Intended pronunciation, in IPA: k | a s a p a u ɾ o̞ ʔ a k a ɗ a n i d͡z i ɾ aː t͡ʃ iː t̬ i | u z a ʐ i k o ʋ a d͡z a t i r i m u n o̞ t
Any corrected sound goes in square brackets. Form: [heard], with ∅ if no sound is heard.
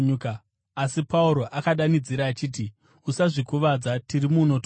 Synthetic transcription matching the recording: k | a s [i] p a u ɾ o̞ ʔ a k a ɗ a n i d͡z i ɾ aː t͡ʃ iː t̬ i | u [s] a ʐ i k [u] ʋ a d͡z a t i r i m u n o̞ t